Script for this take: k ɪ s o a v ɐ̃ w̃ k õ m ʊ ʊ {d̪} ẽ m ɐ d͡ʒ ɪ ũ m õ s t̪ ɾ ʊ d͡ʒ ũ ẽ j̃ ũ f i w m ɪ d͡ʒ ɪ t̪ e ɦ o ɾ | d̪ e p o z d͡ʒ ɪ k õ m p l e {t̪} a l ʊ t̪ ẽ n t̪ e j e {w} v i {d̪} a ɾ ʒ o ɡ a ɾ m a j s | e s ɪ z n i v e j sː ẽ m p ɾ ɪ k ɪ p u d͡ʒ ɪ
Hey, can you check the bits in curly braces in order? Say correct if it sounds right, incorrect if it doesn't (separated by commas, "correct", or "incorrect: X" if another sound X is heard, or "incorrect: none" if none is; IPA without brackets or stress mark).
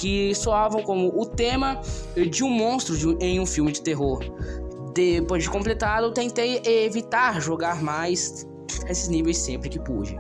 incorrect: t̪, correct, incorrect: none, incorrect: t̪